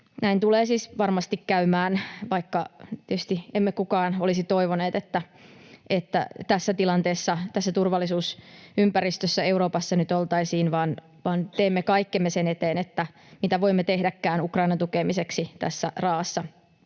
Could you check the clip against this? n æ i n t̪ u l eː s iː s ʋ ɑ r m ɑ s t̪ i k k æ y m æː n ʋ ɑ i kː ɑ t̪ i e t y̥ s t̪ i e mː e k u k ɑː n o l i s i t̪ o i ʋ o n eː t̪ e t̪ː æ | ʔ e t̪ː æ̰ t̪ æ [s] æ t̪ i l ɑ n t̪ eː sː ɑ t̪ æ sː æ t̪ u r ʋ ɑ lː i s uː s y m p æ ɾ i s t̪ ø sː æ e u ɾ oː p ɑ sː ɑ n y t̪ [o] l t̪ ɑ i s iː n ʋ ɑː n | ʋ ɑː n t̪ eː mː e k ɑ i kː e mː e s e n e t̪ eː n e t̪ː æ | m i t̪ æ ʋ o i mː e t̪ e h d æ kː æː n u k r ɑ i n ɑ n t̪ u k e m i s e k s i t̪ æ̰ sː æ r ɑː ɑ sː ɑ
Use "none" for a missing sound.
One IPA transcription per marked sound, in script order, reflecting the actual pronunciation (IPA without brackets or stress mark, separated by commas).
sː, o